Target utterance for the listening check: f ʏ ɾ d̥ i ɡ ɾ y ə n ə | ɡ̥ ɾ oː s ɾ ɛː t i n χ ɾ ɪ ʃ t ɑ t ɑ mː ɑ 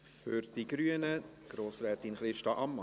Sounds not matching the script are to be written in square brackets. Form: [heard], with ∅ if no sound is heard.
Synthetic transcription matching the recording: f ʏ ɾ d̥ i ɡ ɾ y ə n ə | ɡ̥ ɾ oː s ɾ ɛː t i n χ ɾ ɪ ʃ t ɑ [ʔ] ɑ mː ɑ